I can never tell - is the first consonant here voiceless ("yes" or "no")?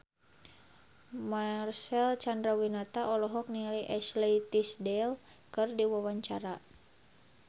no